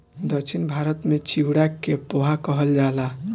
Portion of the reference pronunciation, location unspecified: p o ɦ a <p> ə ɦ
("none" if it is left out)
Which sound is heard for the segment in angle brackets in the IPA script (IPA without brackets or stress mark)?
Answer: k